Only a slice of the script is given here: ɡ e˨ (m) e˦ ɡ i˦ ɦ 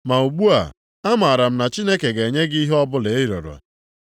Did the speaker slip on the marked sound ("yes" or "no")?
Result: yes